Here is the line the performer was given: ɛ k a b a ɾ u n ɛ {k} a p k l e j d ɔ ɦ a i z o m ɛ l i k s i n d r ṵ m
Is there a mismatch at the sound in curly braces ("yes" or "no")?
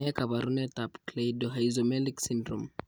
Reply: yes